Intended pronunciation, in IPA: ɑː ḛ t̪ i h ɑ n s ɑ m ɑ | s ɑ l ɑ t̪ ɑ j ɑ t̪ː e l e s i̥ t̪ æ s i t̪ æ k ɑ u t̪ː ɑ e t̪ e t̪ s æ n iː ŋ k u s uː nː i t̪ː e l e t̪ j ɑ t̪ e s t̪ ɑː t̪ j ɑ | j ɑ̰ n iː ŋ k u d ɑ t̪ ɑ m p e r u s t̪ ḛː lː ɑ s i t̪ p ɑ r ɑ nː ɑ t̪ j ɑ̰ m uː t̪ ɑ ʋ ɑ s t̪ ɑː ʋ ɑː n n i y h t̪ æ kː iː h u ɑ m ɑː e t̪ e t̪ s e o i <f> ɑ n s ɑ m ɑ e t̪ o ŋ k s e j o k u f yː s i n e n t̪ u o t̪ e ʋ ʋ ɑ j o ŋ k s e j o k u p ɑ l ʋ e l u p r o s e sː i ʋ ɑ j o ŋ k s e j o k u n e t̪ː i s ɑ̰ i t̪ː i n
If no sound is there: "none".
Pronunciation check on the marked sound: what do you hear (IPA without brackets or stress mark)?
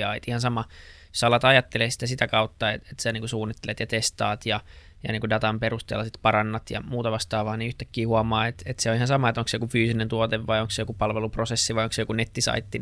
h